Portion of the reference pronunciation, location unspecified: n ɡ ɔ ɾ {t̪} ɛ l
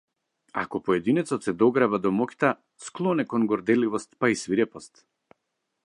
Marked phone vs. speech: incorrect: d̪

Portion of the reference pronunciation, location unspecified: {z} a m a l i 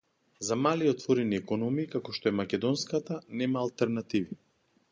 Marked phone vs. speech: correct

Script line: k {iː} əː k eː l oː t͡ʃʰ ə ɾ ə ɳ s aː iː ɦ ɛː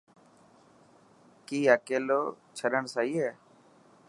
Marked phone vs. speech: correct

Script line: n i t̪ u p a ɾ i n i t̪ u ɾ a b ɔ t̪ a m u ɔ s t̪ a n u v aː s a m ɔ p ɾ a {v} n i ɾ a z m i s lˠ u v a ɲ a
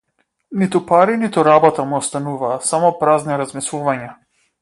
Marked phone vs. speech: incorrect: z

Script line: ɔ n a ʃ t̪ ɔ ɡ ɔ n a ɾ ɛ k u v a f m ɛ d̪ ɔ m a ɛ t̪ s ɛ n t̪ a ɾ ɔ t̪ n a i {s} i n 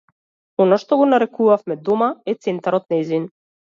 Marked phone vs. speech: incorrect: z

